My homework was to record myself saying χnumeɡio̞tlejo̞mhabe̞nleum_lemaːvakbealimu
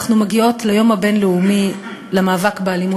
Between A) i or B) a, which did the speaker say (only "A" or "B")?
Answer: A